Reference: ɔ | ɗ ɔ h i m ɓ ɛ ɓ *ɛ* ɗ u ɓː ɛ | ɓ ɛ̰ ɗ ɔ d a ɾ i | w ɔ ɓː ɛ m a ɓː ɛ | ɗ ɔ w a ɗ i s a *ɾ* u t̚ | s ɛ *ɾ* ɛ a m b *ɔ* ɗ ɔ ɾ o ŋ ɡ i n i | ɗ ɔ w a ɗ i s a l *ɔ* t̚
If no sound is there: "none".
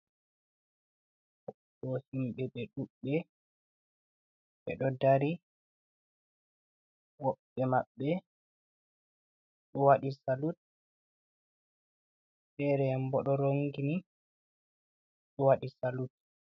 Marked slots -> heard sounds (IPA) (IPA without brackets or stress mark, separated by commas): ɛ, l, ɾ, ɔ, u